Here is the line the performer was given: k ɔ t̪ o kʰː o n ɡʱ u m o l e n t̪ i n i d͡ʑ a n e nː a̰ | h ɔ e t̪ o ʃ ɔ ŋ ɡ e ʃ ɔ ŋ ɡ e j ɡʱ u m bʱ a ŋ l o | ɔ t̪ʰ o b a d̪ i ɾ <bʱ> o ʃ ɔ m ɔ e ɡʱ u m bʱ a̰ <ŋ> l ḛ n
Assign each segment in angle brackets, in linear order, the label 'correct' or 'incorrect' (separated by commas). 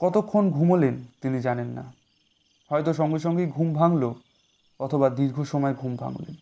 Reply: incorrect, correct